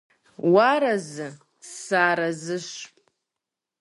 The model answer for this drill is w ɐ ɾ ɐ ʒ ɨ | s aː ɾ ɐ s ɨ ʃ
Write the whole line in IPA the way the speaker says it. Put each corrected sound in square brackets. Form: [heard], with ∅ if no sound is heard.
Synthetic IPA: w [a] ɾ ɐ [z] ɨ | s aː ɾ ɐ [z] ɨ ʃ